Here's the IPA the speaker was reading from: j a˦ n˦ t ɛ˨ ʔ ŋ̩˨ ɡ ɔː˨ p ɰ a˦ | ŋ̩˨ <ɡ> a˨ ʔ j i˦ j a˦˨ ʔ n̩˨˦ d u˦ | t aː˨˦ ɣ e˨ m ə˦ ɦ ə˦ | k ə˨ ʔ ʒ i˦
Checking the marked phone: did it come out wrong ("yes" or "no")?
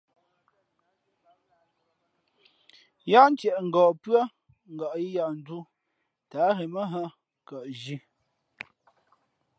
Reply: no